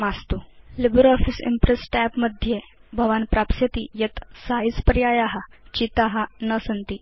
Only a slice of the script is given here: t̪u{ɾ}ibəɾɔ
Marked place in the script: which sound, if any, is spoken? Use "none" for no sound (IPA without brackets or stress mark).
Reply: l